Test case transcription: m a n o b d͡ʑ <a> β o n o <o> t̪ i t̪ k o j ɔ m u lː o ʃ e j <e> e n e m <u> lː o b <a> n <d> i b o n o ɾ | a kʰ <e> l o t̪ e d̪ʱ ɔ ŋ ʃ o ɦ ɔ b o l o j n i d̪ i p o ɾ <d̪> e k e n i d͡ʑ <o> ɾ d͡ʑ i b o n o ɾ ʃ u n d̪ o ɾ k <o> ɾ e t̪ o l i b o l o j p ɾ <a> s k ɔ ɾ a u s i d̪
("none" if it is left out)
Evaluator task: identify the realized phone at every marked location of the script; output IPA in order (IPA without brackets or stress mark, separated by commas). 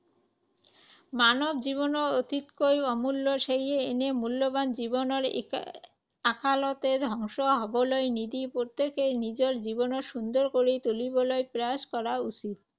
i, o, e, u, a, d͡ʑ, a, t̪, o, o, a